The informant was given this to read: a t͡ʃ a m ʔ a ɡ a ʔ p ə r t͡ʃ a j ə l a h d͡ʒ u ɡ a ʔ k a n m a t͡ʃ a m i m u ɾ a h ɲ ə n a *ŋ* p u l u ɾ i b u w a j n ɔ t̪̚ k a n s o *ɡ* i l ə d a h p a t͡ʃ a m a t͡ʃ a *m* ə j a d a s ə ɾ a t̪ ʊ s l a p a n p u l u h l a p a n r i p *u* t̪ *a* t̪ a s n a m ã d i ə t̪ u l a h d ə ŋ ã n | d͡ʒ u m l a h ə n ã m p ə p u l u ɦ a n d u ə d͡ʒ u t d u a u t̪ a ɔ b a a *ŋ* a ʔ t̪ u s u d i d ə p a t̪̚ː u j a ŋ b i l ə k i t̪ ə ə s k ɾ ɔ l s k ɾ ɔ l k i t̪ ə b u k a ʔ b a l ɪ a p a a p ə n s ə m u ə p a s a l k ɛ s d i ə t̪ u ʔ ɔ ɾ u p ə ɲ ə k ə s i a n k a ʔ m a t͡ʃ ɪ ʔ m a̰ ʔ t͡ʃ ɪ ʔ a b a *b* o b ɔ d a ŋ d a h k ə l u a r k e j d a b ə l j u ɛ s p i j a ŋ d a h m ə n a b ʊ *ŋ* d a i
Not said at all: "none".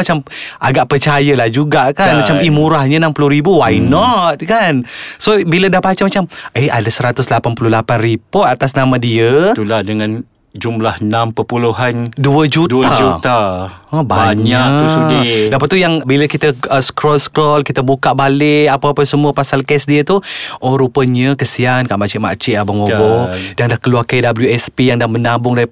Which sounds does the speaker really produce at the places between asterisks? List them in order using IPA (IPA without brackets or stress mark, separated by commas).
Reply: m, b, m, ɔ, a, ɲ, m, ŋ